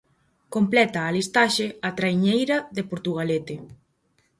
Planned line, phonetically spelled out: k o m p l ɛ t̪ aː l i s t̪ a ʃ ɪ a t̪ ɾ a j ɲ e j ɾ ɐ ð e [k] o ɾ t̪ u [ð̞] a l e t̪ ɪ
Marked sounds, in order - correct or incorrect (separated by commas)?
incorrect, incorrect